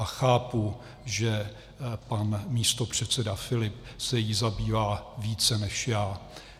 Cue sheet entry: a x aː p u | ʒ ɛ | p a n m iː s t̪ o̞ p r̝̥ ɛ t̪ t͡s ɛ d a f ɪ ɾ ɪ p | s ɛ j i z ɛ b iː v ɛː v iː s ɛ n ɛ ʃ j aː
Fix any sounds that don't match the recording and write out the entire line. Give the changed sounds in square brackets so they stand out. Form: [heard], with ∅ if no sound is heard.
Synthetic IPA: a x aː p u | ʒ ɛ | p a n m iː s t̪ o̞ p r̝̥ ɛ t̪ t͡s ɛ d a f ɪ [l] ɪ p | s ɛ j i z [a] b iː v [aː] v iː [t͡s] ɛ n ɛ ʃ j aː